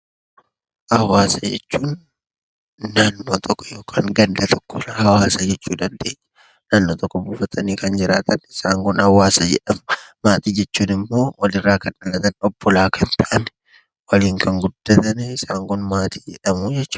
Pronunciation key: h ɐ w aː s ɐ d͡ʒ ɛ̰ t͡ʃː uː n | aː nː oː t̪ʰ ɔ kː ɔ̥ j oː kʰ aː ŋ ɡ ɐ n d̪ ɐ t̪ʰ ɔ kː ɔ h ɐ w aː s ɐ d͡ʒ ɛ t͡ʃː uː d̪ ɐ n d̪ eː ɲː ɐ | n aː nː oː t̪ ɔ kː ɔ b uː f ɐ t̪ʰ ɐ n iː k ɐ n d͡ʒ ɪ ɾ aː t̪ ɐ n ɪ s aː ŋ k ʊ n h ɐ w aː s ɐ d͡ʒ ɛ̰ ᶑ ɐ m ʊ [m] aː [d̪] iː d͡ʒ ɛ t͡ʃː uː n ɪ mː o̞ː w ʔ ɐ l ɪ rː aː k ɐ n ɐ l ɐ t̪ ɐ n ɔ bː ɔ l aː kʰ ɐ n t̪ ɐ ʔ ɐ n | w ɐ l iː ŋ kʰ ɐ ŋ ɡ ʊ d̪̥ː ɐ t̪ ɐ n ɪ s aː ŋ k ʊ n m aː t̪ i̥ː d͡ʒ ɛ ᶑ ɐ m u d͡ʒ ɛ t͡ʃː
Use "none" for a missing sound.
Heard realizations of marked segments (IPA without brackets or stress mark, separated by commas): m, t̪